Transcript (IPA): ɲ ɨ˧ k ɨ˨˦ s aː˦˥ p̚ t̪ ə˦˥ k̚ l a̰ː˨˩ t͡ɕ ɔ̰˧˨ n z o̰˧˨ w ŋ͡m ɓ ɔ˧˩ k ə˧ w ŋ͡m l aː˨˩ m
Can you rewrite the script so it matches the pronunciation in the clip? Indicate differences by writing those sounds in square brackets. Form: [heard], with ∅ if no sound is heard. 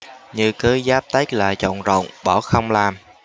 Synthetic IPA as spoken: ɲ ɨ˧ k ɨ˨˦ [z] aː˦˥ p̚ t̪ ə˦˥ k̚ l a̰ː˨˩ t͡ɕ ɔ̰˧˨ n z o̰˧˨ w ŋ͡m ɓ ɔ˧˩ [x] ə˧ w ŋ͡m l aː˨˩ m